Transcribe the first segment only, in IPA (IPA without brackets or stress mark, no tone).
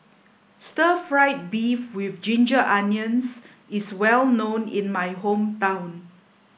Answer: s